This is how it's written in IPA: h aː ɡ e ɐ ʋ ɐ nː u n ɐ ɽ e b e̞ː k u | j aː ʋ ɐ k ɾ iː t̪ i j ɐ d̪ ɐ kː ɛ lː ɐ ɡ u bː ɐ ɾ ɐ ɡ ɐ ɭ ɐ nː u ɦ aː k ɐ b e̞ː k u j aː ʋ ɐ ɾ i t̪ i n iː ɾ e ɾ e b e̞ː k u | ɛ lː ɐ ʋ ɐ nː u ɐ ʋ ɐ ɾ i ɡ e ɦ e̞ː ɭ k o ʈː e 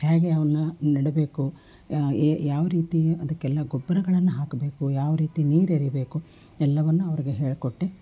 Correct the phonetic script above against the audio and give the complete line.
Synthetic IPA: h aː ɡ e ɐ ʋ ɐ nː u n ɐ ɽ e b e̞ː k u | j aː ʋ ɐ ɾ iː t̪ i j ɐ d̪ ɐ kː ɛ lː ɐ ɡ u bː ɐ ɾ ɐ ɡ ɐ ɭ ɐ nː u ɦ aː k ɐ b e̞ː k u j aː ʋ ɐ ɾ iː t̪ i n iː ɾ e ɾ i b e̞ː k u | ɛ lː ɐ ʋ ɐ nː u ɐ ʋ ɐ ɾ i ɡ e ɦ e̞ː ɭ k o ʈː e